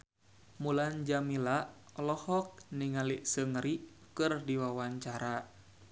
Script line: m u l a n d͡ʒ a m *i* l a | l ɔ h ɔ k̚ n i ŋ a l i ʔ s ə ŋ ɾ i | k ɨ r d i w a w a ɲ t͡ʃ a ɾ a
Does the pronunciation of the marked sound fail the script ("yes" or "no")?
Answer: no